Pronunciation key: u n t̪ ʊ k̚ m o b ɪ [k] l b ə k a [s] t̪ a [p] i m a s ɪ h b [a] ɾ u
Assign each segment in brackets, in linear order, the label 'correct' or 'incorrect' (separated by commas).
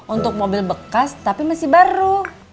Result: incorrect, correct, correct, correct